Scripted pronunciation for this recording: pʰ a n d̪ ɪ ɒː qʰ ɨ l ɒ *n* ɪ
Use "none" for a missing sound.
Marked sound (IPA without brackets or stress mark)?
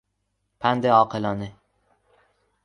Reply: n